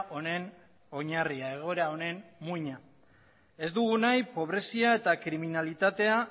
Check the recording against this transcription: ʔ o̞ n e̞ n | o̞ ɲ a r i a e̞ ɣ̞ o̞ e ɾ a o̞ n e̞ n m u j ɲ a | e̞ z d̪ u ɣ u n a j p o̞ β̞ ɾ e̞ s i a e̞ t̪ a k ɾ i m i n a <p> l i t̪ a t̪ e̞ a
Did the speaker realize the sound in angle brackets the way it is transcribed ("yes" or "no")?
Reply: no